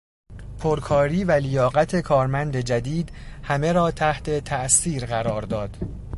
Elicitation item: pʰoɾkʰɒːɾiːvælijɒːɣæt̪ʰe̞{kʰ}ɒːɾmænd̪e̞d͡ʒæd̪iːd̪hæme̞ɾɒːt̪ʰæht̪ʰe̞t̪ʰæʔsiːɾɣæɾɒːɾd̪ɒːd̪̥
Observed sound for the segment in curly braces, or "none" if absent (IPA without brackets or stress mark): kʰ